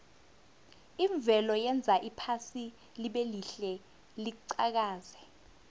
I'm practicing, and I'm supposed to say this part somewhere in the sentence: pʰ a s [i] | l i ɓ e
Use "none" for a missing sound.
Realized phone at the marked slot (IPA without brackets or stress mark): i